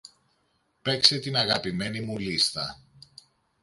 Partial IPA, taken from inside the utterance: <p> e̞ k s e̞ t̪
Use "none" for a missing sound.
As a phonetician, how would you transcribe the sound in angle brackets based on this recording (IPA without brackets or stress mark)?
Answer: p